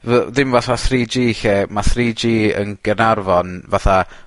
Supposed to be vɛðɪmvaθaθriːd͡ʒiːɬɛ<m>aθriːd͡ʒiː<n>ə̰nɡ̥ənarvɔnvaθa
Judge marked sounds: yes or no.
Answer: yes, no

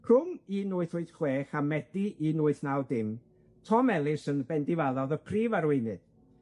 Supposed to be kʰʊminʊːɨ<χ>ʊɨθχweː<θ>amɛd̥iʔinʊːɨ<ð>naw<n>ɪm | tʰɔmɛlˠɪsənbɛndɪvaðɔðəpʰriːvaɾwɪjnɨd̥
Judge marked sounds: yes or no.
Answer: no, no, no, no

